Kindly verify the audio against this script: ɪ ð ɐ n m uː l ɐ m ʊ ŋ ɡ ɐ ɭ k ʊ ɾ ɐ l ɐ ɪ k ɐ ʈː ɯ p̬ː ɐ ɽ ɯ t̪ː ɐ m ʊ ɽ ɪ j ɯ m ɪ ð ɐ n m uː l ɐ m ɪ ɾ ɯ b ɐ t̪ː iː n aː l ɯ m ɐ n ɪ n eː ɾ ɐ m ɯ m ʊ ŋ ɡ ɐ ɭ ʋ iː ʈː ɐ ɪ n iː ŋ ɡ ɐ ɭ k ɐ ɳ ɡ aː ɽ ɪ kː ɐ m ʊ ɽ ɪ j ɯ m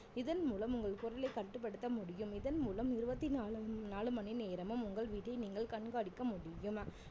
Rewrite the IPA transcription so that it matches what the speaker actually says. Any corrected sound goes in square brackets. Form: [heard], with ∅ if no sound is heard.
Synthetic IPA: ɪ ð ɐ n m uː l ɐ m ʊ ŋ ɡ ɐ ɭ k ʊ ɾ ɐ l ɐ ɪ k ɐ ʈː ɯ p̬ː ɐ ɽ ɯ t̪ː ɐ m ʊ ɽ ɪ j ɯ m ɪ ð ɐ n m uː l ɐ m ɪ ɾ ɯ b ɐ t̪ː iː n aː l ɯ m ɐ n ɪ n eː ɾ ɐ m ɯ m ʊ ŋ ɡ ɐ ɭ ʋ iː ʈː ɐ ɪ n iː ŋ ɡ ɐ ɭ k ɐ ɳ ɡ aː ɽ ɪ kː ɐ m ʊ ɽ ɪ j ɯ m